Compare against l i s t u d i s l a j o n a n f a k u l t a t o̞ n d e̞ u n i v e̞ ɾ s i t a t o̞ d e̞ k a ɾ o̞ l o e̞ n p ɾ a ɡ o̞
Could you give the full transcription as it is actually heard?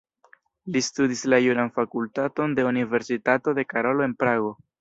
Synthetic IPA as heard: l i s t u d i s l a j u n a n f a k u l t a t o̞ n d e̞ u n i v e̞ ɾ s i t a t o̞ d e̞ k a ɾ o̞ l o e̞ n p ɾ a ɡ o̞